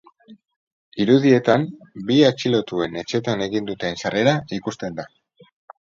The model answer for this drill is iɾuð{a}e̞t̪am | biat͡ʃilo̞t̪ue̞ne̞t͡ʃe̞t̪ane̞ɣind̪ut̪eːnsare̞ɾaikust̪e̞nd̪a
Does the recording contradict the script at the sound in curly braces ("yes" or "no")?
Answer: yes